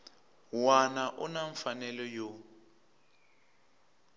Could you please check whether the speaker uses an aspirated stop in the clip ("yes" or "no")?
no